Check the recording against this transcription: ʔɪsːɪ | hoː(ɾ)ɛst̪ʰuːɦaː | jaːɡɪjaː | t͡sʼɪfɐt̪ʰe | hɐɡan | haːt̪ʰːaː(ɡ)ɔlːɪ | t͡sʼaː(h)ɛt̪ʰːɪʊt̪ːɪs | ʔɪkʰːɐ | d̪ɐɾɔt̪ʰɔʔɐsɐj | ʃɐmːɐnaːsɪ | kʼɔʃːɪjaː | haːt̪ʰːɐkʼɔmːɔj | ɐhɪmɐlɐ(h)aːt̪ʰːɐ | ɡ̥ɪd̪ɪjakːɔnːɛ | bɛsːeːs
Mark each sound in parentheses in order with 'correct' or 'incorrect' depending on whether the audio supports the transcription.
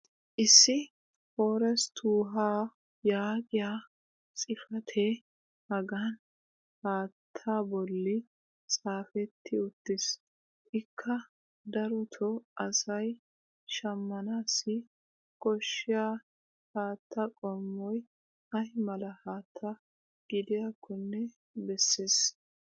correct, incorrect, incorrect, correct

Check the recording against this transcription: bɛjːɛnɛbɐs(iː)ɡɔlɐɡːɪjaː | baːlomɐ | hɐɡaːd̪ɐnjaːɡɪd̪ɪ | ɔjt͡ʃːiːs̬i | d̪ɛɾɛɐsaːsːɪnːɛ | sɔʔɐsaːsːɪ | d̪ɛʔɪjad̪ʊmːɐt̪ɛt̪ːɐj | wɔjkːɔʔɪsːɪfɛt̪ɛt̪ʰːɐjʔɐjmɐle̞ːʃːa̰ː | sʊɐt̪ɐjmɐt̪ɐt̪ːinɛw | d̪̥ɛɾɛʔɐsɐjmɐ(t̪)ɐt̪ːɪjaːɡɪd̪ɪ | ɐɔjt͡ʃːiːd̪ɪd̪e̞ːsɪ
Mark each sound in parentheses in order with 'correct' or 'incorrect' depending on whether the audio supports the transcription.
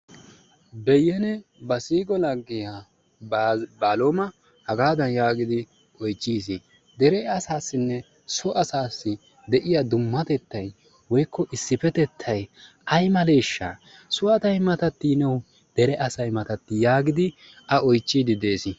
correct, correct

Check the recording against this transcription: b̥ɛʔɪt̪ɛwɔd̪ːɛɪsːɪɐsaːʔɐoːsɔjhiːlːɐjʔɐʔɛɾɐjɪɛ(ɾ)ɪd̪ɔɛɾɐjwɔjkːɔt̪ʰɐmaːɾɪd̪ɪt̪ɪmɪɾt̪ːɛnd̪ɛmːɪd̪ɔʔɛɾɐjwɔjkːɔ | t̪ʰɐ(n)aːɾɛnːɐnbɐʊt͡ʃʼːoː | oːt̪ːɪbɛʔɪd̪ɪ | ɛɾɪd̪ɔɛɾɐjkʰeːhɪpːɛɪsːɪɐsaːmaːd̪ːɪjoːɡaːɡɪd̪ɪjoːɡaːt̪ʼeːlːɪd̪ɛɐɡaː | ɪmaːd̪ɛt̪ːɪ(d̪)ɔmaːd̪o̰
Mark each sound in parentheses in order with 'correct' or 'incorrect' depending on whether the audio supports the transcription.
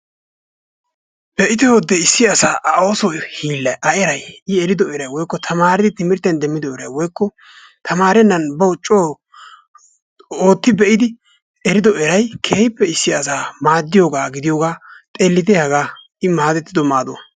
correct, incorrect, correct

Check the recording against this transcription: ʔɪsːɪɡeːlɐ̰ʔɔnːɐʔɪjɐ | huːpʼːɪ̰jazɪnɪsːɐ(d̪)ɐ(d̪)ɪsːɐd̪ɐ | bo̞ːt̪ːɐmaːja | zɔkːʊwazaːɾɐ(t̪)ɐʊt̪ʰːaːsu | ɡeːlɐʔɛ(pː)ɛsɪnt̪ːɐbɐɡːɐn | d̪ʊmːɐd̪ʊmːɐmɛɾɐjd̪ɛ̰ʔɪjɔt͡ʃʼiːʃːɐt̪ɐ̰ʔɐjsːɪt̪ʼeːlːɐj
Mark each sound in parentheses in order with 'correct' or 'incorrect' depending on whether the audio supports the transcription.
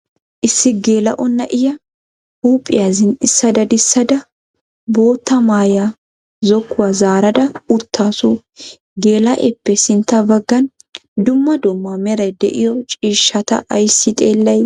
correct, correct, incorrect, correct

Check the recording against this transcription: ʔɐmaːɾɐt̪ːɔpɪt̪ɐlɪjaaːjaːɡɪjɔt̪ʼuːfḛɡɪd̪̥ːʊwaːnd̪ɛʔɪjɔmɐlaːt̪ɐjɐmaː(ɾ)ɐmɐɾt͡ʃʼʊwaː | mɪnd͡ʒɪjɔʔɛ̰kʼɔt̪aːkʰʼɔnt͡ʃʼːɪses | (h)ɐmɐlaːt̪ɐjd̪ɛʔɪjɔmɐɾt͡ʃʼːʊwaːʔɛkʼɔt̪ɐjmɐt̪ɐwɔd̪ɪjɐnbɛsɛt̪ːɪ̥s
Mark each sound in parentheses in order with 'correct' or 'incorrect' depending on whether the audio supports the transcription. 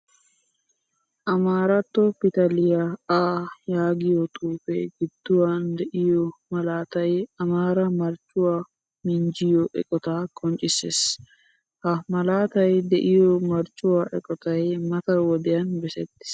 correct, correct

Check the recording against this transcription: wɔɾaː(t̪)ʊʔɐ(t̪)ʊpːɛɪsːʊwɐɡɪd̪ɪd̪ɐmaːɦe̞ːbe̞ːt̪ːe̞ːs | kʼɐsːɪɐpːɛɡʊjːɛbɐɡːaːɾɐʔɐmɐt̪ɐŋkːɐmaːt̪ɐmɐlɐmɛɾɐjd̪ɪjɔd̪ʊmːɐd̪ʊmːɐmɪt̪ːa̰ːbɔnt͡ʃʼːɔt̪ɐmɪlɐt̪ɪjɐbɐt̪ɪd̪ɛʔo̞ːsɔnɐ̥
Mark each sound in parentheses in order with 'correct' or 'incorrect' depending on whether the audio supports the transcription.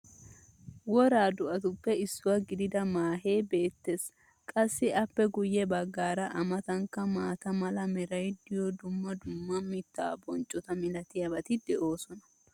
incorrect, correct

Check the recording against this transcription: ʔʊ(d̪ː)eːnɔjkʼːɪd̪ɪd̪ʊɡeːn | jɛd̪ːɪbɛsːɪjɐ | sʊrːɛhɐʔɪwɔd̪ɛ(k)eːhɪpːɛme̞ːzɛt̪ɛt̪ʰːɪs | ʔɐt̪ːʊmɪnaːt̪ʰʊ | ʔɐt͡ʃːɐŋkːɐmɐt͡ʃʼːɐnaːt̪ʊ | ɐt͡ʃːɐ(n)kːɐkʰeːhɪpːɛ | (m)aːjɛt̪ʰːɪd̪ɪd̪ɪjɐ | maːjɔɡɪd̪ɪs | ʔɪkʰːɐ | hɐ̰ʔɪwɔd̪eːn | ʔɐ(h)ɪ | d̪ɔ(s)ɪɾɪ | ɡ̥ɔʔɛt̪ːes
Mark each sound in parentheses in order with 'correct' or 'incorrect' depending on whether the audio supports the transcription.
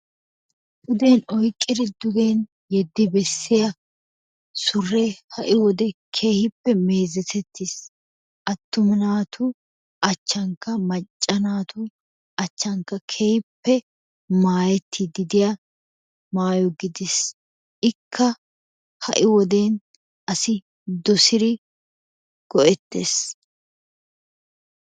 incorrect, incorrect, incorrect, correct, incorrect, correct

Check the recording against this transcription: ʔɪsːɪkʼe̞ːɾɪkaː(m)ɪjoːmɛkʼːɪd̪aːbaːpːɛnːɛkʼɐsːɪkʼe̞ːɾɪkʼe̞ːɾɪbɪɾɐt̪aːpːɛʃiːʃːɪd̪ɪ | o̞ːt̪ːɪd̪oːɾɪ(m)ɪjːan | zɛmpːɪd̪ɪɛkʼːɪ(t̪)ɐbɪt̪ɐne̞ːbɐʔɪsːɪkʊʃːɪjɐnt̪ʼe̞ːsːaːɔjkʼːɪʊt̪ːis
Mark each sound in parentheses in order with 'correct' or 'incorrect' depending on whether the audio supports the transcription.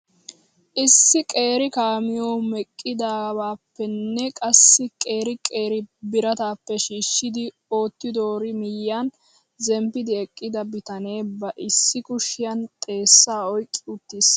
correct, correct, incorrect

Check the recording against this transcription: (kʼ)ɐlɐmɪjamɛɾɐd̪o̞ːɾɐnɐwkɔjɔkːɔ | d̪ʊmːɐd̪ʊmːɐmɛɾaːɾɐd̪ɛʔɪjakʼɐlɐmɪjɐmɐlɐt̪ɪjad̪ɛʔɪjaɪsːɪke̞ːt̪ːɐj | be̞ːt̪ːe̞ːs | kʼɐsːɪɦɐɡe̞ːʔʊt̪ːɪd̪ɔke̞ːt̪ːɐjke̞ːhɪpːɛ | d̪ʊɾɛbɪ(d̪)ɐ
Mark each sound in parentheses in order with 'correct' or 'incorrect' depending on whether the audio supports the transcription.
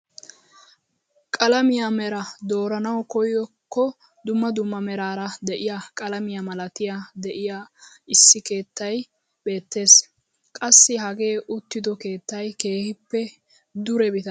correct, incorrect

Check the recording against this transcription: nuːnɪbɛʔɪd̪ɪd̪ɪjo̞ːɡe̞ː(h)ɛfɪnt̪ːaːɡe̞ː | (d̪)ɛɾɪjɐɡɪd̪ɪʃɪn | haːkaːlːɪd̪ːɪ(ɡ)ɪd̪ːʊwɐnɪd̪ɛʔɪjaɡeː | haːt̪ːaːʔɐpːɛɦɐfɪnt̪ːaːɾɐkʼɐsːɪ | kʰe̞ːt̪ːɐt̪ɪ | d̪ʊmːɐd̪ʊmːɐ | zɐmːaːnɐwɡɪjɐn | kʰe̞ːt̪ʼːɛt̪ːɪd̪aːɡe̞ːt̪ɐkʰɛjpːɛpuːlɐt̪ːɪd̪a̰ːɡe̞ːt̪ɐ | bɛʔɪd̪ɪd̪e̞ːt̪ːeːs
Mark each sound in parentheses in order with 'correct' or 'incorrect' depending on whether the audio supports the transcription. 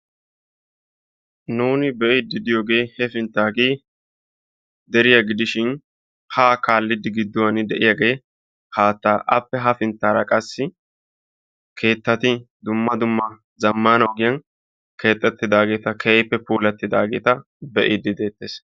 correct, correct, correct

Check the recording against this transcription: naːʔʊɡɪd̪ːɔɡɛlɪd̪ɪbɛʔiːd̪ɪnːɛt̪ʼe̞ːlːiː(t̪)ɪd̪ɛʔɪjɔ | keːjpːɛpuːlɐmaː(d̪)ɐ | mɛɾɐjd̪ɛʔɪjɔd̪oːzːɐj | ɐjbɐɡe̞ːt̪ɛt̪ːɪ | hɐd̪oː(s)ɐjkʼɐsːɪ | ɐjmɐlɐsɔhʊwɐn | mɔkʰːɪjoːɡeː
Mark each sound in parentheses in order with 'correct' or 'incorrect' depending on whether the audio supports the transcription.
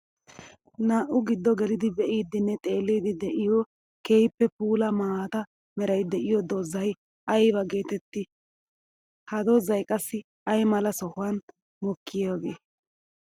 incorrect, incorrect, incorrect

